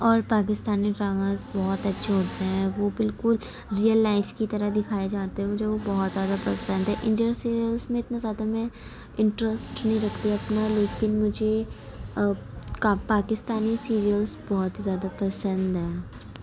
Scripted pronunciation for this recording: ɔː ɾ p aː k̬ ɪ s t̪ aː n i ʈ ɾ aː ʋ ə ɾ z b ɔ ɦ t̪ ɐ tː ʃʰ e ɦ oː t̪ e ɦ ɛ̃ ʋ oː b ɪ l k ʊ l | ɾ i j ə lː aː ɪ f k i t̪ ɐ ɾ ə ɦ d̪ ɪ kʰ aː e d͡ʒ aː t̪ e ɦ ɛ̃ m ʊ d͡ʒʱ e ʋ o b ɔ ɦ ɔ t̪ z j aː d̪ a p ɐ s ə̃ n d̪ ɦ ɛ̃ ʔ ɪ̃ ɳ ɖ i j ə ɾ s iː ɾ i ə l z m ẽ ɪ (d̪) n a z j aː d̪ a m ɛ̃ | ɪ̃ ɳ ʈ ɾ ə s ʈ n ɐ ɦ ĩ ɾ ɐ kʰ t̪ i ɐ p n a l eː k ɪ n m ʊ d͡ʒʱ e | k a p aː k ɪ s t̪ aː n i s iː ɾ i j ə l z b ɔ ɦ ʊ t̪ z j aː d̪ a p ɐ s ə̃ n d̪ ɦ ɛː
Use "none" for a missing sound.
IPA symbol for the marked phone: t̪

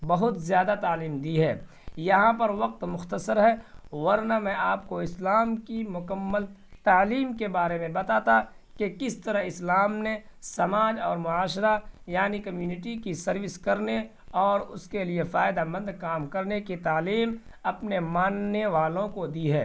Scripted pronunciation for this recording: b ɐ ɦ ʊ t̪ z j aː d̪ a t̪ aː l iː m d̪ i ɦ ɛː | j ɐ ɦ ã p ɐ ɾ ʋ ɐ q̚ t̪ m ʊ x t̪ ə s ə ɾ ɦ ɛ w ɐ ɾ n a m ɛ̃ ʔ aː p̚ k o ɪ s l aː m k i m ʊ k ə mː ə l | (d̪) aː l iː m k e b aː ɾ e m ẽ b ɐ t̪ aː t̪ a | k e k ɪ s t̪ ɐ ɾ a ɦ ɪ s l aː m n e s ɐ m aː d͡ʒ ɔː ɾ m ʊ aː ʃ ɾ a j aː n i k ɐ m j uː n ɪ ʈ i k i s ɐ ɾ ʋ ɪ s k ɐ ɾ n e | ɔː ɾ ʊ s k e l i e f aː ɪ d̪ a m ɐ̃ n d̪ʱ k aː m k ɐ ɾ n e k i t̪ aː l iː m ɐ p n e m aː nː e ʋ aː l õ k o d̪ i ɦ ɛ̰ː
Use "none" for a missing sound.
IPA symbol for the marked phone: t̪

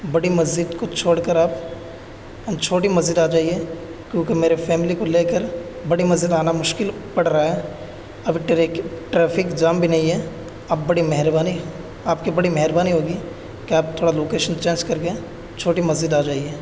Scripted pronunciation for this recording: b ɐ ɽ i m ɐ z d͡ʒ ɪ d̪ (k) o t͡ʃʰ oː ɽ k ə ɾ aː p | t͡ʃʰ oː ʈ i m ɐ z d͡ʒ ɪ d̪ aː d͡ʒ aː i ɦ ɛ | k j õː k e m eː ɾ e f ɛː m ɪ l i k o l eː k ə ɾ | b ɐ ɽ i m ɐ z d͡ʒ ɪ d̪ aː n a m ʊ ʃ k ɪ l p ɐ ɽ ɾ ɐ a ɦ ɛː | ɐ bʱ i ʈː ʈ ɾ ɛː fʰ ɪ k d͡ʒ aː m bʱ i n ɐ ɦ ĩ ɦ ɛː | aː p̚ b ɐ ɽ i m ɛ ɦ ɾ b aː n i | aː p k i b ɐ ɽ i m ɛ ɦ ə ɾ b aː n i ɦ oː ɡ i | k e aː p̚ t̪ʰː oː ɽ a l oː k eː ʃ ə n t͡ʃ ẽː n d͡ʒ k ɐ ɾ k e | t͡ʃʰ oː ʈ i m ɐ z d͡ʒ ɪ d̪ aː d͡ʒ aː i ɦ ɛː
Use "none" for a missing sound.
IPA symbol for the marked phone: k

